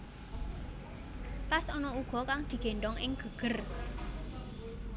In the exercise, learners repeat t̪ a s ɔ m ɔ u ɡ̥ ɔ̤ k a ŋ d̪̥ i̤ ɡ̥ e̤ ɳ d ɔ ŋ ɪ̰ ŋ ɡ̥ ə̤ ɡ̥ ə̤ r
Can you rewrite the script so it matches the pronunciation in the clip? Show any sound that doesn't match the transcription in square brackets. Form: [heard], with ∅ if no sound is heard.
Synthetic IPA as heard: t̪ a s ɔ [n] ɔ u ɡ̥ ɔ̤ k a ŋ d̪̥ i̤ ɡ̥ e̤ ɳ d ɔ ŋ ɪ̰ ŋ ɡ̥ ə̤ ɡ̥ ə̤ r